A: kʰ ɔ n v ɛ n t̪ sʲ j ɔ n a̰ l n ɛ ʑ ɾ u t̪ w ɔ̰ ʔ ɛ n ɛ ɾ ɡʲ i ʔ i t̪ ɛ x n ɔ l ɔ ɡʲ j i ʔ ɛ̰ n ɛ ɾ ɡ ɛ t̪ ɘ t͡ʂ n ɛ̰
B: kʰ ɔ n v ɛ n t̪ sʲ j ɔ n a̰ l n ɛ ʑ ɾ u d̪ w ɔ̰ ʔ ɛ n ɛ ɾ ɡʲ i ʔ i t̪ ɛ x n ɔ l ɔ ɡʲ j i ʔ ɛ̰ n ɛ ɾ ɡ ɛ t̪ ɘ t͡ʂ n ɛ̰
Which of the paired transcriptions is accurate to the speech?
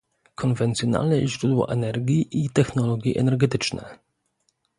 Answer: B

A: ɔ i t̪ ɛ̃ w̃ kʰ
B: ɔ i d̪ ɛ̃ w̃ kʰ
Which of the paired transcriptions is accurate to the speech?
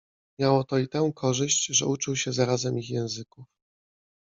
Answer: A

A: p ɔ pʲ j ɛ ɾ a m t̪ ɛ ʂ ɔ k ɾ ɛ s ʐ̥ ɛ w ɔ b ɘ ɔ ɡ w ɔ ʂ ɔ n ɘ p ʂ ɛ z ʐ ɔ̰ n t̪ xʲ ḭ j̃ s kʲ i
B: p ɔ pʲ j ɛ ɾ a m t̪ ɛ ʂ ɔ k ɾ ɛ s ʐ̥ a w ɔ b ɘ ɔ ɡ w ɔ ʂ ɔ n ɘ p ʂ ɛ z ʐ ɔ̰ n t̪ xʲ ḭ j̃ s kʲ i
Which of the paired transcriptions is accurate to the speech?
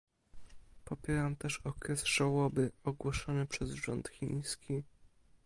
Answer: B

